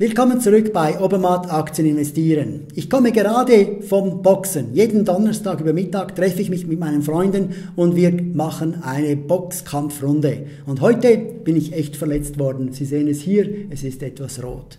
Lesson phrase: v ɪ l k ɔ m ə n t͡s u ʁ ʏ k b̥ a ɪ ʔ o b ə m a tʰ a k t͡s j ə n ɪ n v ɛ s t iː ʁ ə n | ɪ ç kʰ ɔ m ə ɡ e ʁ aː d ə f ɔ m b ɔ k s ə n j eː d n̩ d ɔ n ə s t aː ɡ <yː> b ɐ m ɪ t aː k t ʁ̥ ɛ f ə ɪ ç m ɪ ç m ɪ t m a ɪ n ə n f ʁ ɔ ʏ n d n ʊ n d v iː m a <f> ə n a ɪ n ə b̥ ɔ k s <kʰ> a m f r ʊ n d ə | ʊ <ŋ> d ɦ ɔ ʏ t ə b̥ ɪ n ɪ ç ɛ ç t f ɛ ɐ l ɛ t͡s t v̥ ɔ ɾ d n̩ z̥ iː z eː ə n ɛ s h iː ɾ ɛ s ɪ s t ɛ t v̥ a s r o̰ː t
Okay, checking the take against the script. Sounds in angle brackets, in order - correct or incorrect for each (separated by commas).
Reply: correct, incorrect, correct, incorrect